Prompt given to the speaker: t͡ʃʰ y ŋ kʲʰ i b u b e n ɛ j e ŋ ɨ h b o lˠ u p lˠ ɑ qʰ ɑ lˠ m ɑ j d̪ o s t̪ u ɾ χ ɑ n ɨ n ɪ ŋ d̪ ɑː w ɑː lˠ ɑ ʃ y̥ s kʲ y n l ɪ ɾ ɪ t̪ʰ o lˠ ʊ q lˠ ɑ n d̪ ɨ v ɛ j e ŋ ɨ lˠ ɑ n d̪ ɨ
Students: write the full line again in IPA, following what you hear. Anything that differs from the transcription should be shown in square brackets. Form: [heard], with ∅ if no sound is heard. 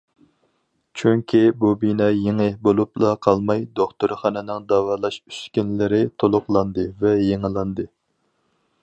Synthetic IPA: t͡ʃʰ y ŋ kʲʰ i b u b [i] n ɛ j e ŋ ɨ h b o lˠ u p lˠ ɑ qʰ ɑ lˠ m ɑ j d̪ o [χ] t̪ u ɾ χ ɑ n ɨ n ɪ ŋ d̪ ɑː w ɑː lˠ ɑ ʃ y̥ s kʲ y n l ɪ ɾ ɪ t̪ʰ o lˠ ʊ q lˠ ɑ n d̪ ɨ v ɛ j e ŋ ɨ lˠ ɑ n d̪ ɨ